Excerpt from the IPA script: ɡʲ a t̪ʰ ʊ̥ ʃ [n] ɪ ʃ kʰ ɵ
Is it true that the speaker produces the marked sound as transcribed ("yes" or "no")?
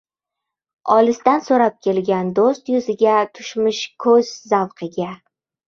no